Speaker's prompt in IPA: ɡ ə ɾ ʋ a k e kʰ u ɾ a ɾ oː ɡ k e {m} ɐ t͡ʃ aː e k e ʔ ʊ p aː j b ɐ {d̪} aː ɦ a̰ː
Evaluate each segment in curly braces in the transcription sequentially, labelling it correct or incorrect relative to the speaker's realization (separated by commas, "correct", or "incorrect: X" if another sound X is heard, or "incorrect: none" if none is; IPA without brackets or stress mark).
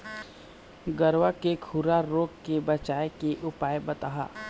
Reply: incorrect: b, incorrect: t̪